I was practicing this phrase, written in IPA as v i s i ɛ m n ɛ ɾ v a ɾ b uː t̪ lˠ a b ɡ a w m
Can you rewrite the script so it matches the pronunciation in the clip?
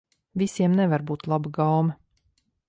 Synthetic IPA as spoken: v i s i ɛ m n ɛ v a ɾ b uː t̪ lˠ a b ɡ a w m